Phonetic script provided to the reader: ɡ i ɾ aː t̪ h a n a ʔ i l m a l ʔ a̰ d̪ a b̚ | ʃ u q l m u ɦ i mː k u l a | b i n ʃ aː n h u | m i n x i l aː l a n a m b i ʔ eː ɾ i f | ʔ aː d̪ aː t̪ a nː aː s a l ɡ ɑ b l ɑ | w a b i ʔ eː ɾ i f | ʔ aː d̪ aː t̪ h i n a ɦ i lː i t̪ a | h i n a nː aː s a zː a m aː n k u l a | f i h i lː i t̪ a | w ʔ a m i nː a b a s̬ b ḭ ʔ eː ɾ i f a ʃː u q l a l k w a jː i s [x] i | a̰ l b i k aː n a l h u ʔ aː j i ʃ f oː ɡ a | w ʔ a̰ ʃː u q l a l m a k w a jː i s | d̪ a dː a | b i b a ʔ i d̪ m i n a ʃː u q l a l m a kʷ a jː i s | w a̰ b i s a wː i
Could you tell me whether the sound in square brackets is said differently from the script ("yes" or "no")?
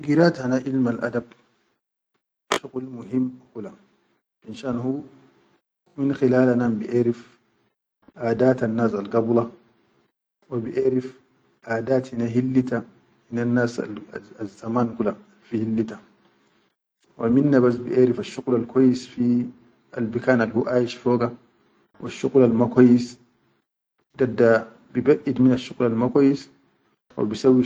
yes